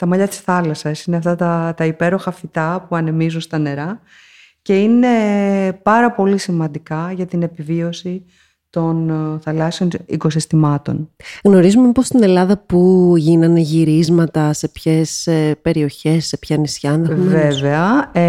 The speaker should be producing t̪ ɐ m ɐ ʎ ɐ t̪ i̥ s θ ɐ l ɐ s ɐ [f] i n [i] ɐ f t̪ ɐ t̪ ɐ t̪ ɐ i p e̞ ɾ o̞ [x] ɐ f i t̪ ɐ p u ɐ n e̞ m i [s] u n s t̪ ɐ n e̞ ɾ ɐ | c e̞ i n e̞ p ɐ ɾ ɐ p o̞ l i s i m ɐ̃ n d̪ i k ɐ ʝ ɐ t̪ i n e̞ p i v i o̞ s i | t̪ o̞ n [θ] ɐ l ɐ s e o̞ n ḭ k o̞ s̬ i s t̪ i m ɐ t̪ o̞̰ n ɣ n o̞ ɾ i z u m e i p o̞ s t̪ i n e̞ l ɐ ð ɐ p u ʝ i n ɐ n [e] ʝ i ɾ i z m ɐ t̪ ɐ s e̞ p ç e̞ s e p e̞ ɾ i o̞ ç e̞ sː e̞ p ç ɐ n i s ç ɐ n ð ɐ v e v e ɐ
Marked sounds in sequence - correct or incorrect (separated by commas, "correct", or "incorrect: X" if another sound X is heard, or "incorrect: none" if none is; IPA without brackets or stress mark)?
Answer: incorrect: s, incorrect: e, correct, incorrect: z, correct, correct